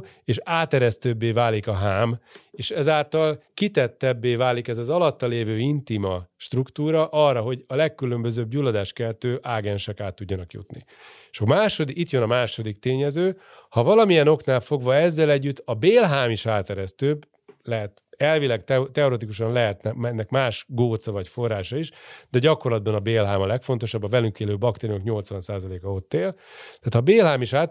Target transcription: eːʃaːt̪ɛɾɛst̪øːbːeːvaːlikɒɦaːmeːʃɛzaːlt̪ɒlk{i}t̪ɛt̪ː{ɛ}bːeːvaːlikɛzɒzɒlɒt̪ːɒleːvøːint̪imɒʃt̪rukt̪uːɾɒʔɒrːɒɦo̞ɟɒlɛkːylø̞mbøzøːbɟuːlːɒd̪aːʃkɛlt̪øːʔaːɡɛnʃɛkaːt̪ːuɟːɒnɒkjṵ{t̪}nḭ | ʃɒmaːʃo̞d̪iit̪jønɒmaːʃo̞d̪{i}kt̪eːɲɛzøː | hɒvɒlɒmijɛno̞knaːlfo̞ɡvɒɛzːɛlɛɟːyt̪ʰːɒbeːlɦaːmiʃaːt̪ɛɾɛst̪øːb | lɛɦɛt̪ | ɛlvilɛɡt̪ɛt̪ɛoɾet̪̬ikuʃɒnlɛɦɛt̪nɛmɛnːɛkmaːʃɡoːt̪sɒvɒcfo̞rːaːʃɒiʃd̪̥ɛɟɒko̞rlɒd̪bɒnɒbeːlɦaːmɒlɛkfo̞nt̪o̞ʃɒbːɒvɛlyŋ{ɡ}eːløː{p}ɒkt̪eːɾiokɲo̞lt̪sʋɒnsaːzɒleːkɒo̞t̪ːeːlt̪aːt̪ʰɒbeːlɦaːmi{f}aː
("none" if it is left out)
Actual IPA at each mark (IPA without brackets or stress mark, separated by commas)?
i, ɛ, t̪, i, k, b, ʃ